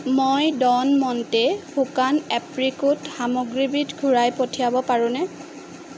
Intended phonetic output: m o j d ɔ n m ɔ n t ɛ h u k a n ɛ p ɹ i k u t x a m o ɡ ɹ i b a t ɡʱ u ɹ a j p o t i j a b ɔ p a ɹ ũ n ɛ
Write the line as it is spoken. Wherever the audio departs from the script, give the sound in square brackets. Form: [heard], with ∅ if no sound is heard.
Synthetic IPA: m o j d ɔ n m ɔ n t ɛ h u k a n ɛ p ɹ i k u t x a m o ɡ ɹ i b [i] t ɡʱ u ɹ a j p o [tʰ] i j a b ɔ p a ɹ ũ n ɛ